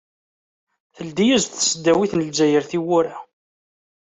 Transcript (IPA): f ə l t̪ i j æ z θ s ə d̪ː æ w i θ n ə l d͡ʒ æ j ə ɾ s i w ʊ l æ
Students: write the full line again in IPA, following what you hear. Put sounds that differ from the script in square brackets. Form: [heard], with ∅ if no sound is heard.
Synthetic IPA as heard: [θ] ə l [d̪] i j æ z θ s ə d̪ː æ w i θ n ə l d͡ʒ æ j ə ɾ [θ] i w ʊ [ɾ] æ